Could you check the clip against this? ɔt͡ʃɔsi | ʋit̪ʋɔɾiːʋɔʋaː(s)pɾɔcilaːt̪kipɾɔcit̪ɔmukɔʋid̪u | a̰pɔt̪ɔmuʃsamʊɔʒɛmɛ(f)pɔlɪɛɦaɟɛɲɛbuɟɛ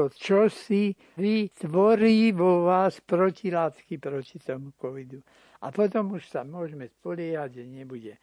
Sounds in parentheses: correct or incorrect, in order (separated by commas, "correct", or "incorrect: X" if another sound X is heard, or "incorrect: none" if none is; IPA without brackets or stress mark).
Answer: correct, incorrect: s